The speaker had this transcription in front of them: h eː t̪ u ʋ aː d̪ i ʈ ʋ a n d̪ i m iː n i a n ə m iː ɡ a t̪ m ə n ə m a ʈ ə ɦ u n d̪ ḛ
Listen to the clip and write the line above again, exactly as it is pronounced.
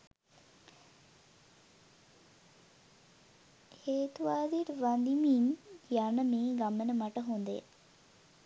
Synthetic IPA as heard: h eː t̪ u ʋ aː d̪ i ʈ ʋ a n d̪ i m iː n j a n ə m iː ɡ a m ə n ə m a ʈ ə ɦ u n d̪ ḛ